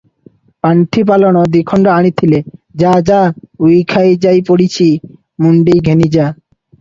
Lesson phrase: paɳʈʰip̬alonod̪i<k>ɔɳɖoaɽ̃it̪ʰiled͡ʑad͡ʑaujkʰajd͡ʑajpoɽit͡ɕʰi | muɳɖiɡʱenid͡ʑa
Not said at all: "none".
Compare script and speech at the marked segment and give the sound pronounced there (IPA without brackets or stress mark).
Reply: kʰ